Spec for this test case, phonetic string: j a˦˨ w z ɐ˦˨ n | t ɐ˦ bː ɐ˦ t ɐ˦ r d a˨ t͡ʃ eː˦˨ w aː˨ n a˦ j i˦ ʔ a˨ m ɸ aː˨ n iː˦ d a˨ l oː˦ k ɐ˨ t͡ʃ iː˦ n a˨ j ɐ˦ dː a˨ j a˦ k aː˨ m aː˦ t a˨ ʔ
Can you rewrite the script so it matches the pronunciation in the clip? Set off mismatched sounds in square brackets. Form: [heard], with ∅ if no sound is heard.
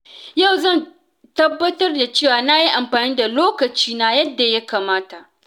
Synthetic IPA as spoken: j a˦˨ w z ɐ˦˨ n | t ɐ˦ bː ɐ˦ t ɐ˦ r d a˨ t͡ʃ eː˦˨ w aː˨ n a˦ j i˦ ʔ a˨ m ɸ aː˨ n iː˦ d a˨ l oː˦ k ɐ˨ t͡ʃ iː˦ n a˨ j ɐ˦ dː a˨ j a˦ k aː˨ m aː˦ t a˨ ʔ